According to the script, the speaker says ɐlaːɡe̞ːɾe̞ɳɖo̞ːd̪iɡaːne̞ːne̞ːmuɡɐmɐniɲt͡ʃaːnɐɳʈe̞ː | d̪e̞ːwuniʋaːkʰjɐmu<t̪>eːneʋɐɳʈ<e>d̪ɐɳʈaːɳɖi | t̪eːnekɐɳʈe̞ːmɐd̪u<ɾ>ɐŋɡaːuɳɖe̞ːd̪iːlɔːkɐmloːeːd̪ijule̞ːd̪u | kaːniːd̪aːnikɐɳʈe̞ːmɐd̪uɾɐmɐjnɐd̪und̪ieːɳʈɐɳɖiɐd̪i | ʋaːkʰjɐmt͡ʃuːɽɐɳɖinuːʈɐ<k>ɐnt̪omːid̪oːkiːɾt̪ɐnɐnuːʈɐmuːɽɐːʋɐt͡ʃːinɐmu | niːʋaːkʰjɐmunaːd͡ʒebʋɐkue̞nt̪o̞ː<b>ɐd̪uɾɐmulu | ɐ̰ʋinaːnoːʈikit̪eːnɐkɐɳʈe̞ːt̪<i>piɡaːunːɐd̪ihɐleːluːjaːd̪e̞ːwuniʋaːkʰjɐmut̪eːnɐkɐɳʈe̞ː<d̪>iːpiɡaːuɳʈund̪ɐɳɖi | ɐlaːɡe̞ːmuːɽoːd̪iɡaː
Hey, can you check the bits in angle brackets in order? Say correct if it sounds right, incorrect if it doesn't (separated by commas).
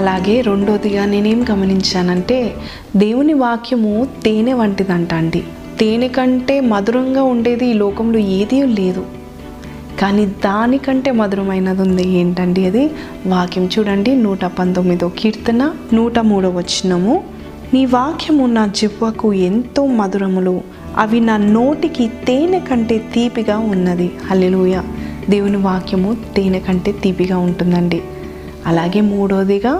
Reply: correct, incorrect, correct, incorrect, incorrect, incorrect, incorrect